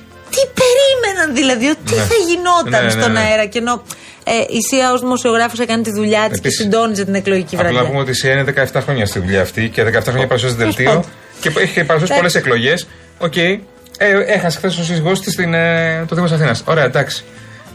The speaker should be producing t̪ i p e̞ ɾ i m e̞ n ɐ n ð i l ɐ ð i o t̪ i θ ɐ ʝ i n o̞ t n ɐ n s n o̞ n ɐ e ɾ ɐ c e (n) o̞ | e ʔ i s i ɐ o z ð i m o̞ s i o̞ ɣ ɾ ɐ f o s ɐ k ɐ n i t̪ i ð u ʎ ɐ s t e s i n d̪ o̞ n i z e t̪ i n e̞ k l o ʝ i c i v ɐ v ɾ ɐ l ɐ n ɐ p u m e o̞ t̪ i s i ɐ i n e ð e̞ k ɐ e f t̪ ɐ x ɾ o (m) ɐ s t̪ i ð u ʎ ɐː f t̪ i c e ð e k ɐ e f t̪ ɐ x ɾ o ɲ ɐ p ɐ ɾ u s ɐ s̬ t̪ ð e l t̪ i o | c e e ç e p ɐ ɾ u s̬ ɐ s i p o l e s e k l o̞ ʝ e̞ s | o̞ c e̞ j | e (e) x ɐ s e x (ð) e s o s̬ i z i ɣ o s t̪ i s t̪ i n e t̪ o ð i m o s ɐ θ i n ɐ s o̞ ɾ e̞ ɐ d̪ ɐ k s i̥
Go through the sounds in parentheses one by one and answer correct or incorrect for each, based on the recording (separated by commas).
correct, incorrect, correct, incorrect